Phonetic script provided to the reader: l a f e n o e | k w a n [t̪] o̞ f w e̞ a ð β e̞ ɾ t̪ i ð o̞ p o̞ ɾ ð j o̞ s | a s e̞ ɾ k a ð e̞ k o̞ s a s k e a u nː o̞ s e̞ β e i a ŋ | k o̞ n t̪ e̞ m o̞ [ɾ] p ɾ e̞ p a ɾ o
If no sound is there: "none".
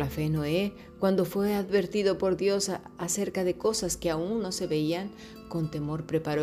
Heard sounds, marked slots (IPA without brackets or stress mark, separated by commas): d̪, ɾ